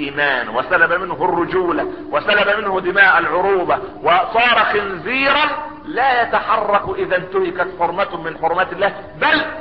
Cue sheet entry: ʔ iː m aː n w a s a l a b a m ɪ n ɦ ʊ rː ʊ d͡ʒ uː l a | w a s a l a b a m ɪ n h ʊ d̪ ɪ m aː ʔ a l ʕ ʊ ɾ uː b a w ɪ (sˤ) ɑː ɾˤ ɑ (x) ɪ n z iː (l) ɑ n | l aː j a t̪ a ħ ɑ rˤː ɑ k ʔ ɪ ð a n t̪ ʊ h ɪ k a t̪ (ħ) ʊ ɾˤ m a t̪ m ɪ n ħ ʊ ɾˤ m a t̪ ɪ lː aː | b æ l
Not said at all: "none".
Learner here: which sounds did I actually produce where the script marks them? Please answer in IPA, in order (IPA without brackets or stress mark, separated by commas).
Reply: sˤ, x, ɾ, ħ